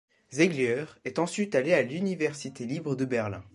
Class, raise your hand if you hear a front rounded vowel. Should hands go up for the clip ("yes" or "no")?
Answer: yes